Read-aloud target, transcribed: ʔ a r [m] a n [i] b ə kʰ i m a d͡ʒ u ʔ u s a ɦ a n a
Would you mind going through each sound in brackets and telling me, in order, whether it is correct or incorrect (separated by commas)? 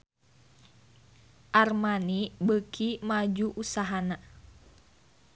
correct, correct